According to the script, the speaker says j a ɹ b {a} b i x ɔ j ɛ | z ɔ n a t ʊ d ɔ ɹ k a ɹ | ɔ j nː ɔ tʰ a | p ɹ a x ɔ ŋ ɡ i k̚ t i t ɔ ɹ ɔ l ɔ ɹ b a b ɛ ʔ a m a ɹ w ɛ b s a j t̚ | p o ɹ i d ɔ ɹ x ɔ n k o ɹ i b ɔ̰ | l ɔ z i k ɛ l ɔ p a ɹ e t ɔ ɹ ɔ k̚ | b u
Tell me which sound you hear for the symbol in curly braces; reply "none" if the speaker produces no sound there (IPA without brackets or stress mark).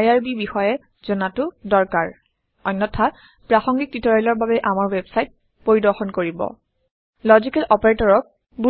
i